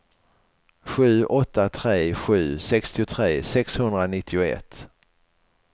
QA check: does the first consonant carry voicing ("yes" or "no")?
no